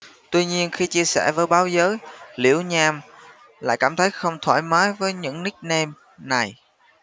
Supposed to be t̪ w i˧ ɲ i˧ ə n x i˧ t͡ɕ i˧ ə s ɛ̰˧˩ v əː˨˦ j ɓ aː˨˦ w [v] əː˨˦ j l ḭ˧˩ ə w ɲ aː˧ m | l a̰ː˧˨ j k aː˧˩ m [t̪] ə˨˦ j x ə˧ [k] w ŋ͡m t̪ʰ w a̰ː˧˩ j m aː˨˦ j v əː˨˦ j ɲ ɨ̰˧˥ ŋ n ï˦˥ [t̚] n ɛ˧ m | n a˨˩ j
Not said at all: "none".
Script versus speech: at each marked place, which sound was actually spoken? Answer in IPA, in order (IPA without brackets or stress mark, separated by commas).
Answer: z, t̪ʰ, none, k̚